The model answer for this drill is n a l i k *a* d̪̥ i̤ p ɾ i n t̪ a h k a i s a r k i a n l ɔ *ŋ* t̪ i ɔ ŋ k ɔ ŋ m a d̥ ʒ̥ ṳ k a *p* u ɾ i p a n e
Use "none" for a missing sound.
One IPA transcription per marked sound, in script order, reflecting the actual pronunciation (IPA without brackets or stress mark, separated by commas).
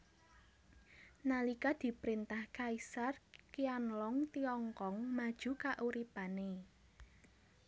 a, ŋ, ʔ